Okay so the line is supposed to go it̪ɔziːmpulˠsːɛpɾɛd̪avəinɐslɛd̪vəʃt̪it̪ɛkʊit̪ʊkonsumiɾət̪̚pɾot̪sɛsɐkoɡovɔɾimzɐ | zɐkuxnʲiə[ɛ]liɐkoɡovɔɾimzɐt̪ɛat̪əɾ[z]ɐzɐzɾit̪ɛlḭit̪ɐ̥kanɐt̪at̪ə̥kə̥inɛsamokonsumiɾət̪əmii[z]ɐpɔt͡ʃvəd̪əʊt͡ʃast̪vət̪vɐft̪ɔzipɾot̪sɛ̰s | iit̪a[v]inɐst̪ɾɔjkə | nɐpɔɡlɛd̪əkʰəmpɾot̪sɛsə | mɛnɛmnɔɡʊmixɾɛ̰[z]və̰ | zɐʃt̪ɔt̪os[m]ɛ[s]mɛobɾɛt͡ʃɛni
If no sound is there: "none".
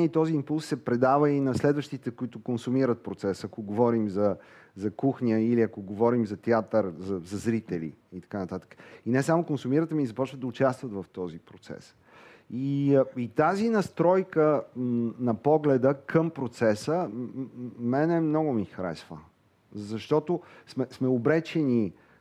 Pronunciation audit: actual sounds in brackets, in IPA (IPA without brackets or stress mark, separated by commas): i, z, z, z, s, m, s